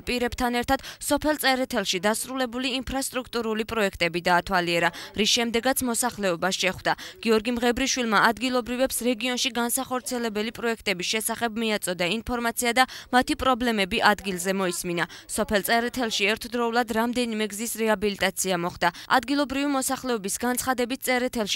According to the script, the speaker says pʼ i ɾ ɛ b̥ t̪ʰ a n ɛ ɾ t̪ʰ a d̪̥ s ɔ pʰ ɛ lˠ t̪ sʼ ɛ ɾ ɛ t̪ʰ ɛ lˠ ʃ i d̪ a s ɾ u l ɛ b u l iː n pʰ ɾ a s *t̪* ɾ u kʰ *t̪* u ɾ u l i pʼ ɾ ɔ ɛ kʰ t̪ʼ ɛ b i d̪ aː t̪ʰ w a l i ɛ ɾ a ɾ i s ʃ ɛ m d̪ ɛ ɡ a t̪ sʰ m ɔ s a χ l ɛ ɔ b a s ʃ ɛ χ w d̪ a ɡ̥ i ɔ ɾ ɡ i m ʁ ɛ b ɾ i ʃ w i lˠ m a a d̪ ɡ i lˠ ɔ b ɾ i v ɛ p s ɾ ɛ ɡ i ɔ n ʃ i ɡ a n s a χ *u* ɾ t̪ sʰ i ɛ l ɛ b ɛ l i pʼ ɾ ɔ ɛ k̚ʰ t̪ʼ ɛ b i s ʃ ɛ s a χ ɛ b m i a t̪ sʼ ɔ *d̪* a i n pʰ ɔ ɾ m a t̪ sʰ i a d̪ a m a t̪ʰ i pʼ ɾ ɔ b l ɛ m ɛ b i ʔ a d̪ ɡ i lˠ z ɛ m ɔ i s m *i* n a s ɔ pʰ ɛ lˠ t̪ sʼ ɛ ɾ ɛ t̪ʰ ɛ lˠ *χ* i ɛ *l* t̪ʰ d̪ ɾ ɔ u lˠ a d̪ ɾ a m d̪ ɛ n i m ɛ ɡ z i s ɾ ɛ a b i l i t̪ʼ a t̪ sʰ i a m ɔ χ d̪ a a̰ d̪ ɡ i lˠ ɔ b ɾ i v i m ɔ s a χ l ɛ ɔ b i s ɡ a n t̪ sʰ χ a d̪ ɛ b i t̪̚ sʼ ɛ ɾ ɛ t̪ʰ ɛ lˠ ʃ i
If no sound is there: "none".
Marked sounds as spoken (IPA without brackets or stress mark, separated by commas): t̪ʼ, t̪ʼ, ɔ, d̪, i, ʃ, ɾ